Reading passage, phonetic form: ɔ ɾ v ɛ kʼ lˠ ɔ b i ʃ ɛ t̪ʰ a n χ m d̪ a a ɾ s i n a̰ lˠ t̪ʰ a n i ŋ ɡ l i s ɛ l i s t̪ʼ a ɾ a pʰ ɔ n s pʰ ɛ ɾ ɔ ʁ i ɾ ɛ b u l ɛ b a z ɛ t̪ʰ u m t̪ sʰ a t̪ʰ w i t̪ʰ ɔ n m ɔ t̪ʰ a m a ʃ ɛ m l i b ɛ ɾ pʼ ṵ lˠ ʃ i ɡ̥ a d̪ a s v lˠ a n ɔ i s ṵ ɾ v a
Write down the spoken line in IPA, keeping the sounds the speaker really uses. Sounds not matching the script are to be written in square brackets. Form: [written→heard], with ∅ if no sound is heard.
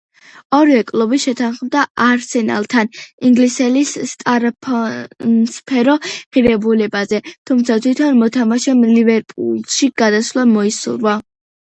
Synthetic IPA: ɔ ɾ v ɛ kʼ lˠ ɔ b i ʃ ɛ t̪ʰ a n χ m d̪ a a ɾ s [i→ɛ] n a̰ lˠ t̪ʰ a n i ŋ ɡ l i s ɛ l i s t̪ʼ a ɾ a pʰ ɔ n s pʰ ɛ ɾ ɔ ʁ i ɾ ɛ b u l ɛ b a z ɛ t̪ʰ u m t̪ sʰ a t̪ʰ w i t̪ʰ ɔ n m ɔ t̪ʰ a m a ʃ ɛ m l i [b→v] ɛ ɾ pʼ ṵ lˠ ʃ i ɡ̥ a d̪ a s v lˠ a [n→m] ɔ i s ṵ ɾ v a